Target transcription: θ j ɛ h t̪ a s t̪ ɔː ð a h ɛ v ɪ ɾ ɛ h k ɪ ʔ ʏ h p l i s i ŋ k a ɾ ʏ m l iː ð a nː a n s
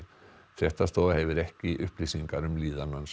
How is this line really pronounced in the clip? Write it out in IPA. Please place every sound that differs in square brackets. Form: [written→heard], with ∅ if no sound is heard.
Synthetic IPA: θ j ɛ h t̪ a s t̪ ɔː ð a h ɛ v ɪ ɾ ɛ h [k→c] ɪ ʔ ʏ h p l i s i ŋ k a ɾ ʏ m l iː ð a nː a n s